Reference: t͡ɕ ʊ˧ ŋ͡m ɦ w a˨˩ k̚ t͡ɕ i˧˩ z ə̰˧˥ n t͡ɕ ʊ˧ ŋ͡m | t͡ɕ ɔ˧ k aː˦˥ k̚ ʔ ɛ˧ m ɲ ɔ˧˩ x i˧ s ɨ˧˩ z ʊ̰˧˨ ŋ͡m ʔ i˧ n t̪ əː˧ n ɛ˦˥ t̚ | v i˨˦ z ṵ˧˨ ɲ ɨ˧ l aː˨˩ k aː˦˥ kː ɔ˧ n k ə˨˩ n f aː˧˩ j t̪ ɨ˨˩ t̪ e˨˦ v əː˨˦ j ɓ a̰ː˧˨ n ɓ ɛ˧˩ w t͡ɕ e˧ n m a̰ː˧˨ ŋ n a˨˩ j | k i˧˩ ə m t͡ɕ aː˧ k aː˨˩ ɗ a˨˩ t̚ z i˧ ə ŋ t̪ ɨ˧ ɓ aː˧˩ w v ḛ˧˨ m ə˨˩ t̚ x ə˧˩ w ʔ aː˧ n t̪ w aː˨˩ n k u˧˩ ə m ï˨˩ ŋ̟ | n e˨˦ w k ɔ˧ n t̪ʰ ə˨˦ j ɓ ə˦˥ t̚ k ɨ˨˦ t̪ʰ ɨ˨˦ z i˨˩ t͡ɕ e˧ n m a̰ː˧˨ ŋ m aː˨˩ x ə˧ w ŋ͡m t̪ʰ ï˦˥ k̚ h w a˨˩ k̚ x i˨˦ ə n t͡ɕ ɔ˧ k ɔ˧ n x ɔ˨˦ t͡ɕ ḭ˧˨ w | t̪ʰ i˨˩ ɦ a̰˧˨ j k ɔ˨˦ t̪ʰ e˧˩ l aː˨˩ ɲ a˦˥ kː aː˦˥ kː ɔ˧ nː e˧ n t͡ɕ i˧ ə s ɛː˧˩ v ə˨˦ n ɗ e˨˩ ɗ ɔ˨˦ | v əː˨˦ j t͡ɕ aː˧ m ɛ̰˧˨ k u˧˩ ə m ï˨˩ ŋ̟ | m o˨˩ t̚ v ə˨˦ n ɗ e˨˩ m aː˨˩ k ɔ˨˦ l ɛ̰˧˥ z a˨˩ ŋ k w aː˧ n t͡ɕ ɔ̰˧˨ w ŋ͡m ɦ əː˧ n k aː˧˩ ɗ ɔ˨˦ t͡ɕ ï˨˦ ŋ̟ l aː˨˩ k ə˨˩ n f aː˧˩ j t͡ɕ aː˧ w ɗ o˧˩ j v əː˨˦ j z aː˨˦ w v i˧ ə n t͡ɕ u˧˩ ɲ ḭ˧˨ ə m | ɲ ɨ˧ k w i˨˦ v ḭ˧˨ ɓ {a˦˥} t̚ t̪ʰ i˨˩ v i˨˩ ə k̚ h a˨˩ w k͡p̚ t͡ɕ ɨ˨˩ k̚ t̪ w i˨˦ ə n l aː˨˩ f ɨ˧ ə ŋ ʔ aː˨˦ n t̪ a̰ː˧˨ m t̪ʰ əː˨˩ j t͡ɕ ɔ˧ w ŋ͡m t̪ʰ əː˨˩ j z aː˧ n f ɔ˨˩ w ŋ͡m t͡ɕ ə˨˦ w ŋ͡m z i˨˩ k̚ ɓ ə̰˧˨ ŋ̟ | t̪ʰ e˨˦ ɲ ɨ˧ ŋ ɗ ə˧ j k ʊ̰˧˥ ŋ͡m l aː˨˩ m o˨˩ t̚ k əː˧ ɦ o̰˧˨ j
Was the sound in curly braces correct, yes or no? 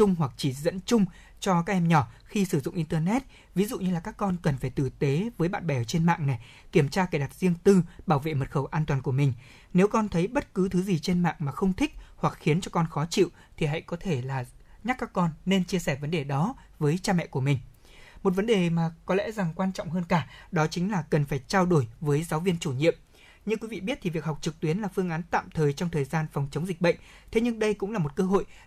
no